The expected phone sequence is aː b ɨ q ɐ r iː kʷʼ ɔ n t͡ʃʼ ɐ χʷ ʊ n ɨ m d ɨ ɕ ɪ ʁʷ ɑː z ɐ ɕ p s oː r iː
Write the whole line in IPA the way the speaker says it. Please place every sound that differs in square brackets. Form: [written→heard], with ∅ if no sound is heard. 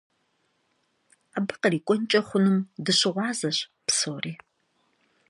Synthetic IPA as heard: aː b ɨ q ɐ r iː kʷʼ ɔ n t͡ʃʼ ɐ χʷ ʊ n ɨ m d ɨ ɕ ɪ ʁʷ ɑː z ɐ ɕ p s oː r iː